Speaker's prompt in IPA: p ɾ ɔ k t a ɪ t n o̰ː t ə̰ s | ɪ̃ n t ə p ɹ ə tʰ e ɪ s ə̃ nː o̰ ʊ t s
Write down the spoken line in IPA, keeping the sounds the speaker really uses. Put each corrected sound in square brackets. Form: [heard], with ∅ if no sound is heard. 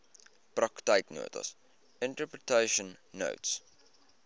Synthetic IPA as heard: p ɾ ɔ k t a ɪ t n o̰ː t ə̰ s | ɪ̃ n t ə p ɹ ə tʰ e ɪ [ʃ] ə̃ nː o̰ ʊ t s